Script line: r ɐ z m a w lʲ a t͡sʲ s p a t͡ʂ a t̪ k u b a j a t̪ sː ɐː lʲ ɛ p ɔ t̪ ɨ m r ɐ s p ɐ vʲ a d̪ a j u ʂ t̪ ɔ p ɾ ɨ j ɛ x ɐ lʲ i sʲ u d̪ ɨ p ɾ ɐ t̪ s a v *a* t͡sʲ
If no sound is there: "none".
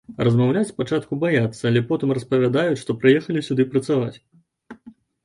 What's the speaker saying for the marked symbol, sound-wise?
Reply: a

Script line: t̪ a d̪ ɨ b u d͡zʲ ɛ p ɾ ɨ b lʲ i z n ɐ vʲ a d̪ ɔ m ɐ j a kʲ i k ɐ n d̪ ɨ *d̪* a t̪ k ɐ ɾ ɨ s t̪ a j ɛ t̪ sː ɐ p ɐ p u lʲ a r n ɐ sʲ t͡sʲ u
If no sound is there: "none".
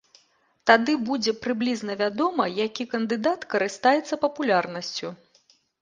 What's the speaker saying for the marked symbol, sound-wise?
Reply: d̪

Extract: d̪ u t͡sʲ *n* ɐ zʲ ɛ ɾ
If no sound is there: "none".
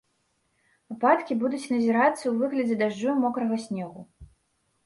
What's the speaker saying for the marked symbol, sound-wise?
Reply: n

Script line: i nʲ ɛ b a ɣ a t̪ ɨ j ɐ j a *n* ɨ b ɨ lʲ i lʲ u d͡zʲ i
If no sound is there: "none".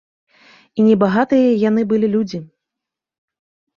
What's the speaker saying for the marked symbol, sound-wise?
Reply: n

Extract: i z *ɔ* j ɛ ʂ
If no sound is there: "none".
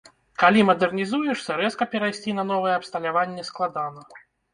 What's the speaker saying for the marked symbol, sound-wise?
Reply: u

